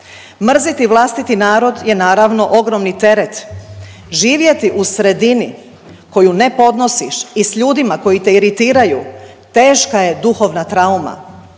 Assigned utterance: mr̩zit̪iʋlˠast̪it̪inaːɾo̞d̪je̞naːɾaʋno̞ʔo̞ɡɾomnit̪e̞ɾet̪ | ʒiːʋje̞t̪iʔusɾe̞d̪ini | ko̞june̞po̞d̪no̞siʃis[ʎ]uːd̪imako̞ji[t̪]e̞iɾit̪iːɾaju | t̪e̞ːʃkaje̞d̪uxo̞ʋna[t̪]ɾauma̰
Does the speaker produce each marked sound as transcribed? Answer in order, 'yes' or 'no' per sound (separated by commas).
yes, yes, yes